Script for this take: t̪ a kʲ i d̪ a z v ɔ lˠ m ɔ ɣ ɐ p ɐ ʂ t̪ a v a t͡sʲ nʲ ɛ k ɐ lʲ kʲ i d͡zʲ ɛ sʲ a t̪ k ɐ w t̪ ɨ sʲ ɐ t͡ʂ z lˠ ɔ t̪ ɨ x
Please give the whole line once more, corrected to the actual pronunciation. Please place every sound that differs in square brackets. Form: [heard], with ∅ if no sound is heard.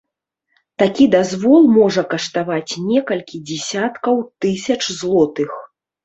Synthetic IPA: t̪ a kʲ i d̪ a z v ɔ lˠ m ɔ [ʐ] ɐ [k] ɐ ʂ t̪ a v a t͡sʲ nʲ ɛ k ɐ lʲ kʲ i d͡zʲ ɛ sʲ a t̪ k ɐ w t̪ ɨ sʲ ɐ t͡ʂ z lˠ ɔ t̪ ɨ x